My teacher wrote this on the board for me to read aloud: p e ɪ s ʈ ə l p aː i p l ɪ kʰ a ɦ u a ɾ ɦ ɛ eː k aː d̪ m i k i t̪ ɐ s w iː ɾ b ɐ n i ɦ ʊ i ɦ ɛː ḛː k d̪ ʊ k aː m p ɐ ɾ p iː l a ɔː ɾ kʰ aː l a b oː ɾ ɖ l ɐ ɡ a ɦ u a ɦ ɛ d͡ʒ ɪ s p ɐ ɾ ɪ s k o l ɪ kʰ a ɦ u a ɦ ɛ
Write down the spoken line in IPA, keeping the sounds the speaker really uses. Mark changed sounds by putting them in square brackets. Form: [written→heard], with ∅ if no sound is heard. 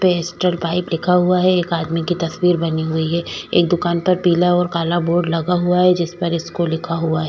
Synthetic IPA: p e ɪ s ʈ ə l p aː [i→ɪ] p l ɪ kʰ a ɦ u a [ɾ→∅] ɦ ɛ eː k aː d̪ m i k i t̪ ɐ s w iː ɾ b ɐ n i ɦ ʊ i ɦ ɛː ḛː k d̪ ʊ k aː [m→n] p ɐ ɾ p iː l a ɔː ɾ [kʰ→k] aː l a b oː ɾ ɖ l ɐ ɡ a ɦ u a ɦ ɛ d͡ʒ ɪ s p ɐ ɾ ɪ s k o l ɪ kʰ a ɦ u a ɦ ɛ